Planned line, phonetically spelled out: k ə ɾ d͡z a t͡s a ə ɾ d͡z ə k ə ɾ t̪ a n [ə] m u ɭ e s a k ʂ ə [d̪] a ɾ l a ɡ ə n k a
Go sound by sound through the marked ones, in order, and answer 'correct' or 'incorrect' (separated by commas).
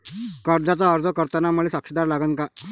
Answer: incorrect, correct